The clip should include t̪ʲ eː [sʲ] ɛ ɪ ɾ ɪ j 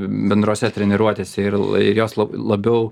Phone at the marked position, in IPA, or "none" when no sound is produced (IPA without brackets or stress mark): sʲ